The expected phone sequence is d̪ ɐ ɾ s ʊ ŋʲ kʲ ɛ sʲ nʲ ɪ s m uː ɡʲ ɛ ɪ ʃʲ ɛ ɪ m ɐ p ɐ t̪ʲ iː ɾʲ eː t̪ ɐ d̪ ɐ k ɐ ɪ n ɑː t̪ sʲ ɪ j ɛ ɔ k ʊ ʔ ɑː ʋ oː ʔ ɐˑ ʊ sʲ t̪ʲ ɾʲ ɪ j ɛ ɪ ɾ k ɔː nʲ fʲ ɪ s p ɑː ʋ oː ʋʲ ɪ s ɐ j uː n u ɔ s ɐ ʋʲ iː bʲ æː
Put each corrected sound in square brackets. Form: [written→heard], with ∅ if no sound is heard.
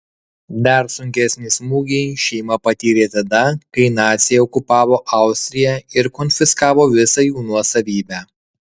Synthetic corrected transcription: d̪ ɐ ɾ s ʊ ŋʲ kʲ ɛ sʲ nʲ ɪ s m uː ɡʲ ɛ ɪ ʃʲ ɛ ɪ m ɐ p ɐ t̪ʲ iː ɾʲ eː t̪ ɐ d̪ ɐ k ɐ ɪ n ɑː t̪ sʲ ɪ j ɛ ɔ k ʊ [ʔ→p] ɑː ʋ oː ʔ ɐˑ ʊ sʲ t̪ʲ ɾʲ ɪ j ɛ ɪ ɾ k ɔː nʲ fʲ ɪ s [p→k] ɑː ʋ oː ʋʲ ɪ s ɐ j uː n u ɔ s ɐ ʋʲ iː bʲ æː